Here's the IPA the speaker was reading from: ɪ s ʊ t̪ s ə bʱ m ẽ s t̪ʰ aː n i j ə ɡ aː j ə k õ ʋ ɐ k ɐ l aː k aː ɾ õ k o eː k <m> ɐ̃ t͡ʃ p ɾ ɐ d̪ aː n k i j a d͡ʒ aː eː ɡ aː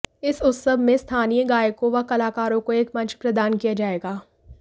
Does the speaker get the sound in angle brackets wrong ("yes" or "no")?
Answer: no